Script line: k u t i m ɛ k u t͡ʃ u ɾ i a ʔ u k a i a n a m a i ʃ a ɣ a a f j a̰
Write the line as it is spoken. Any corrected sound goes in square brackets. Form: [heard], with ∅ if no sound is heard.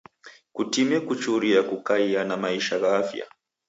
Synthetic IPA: k u t i m ɛ k u t͡ʃ u ɾ i a [k] u k a i a n a m a i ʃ a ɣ a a f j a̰